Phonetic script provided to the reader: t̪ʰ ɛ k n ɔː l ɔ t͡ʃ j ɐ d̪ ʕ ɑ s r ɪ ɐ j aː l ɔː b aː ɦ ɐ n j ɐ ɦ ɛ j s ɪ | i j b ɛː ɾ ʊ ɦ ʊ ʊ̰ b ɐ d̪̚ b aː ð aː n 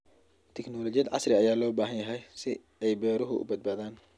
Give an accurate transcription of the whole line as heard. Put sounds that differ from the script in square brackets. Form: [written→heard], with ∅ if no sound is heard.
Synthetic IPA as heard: t̪ʰ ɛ k n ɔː l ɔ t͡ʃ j ɐ d̪ ʕ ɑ s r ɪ ɐ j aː l ɔː b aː ɦ ɐ n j ɐ ɦ ɛ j s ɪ | [i→ɛ] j b ɛː ɾ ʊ ɦ ʊ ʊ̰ b ɐ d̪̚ b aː ð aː n